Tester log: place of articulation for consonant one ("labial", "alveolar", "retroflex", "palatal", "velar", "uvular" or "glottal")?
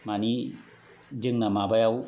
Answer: labial